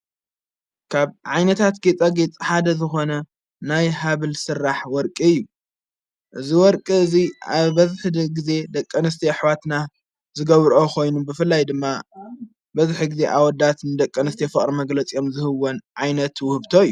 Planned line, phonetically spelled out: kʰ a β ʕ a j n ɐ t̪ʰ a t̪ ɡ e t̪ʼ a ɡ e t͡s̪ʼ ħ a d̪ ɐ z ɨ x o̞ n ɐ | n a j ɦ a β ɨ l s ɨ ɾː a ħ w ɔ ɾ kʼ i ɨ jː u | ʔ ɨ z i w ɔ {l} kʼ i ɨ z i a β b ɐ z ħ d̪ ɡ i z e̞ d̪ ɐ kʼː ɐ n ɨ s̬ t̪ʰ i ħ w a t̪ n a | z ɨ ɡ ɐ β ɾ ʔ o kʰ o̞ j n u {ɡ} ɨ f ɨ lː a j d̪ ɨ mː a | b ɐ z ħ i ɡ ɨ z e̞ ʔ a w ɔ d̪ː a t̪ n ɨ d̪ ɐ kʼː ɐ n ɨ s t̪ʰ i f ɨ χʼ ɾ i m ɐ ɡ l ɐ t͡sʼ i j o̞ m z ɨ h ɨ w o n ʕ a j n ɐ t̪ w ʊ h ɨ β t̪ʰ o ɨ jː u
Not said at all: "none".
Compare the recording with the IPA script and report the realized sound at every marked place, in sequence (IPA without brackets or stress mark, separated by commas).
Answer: ɾ, b